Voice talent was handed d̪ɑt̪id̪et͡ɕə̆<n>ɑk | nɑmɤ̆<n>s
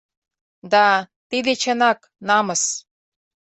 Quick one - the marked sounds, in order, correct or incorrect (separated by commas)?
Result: correct, incorrect